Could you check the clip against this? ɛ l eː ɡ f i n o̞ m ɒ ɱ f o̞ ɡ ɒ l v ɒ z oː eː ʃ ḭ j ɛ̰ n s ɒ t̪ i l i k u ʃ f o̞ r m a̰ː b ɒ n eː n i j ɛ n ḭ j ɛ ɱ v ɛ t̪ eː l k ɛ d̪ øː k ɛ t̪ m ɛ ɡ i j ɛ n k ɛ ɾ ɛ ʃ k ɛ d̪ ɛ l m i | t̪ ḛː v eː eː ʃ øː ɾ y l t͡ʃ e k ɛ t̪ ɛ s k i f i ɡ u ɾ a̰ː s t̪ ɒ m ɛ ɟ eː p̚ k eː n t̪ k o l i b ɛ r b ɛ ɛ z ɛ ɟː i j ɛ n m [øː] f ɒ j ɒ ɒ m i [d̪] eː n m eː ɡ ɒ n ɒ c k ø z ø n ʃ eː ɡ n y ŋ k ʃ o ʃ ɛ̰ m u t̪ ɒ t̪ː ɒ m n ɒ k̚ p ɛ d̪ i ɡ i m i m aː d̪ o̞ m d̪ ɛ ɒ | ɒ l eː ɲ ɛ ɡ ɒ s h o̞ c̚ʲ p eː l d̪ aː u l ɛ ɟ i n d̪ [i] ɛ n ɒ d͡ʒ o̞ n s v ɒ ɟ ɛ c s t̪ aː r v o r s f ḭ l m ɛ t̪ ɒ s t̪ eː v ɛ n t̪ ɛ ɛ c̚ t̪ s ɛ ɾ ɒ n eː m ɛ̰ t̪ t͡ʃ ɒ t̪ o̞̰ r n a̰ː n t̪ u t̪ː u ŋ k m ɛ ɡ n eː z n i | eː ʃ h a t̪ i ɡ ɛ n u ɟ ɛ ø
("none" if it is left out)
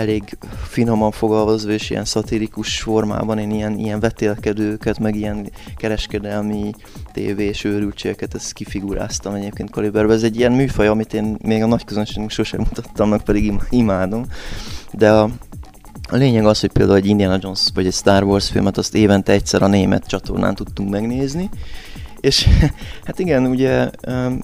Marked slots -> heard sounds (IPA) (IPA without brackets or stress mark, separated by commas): yː, t̪, i